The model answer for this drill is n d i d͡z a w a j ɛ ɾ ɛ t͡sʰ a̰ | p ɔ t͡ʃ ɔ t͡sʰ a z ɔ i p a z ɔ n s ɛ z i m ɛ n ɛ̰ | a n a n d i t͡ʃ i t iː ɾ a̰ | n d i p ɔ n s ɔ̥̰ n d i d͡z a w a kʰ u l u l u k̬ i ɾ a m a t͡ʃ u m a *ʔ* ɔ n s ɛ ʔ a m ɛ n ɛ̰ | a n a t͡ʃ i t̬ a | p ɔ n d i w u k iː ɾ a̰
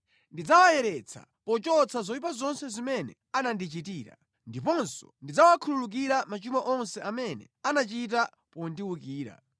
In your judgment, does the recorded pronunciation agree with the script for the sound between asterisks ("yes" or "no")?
yes